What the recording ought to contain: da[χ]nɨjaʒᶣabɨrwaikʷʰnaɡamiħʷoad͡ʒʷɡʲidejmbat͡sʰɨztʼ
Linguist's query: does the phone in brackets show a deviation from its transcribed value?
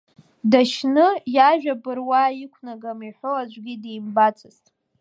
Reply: yes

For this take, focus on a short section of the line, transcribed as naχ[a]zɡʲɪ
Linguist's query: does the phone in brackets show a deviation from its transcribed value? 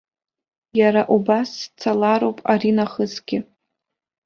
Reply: yes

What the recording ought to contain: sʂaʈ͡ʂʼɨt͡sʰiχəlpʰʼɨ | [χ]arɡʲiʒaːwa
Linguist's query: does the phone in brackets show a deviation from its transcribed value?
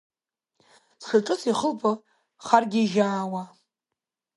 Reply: no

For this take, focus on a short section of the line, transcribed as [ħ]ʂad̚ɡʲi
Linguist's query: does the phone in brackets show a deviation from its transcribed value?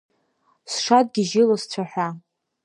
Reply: yes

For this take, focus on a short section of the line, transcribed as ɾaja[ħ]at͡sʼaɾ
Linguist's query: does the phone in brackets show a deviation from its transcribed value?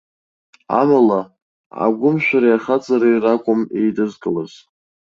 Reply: yes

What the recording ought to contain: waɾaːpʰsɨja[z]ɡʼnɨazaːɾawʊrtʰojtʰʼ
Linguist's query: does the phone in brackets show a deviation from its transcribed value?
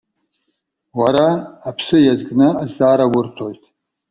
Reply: no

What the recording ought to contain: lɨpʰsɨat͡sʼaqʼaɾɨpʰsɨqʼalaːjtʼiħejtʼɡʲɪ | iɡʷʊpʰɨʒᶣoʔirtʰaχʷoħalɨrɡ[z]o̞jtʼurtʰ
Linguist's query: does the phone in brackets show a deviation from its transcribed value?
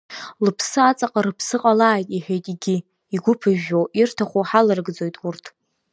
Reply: yes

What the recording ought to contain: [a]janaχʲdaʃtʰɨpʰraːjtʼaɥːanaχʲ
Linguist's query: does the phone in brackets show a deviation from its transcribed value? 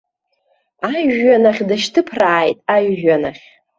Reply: no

